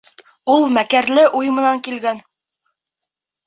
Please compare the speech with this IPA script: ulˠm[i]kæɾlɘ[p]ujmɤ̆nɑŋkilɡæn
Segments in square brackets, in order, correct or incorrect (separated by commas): incorrect, incorrect